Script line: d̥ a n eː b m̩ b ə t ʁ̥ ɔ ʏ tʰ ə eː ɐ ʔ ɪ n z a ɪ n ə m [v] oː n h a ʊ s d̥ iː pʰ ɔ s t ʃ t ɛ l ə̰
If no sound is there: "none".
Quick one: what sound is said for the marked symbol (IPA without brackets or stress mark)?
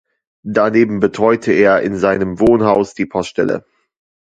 v